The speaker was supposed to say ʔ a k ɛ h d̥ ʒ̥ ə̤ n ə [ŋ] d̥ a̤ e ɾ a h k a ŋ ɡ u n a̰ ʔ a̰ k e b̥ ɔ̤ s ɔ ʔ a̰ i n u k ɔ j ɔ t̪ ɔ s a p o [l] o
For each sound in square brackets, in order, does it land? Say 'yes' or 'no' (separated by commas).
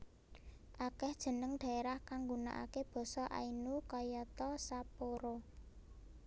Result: yes, no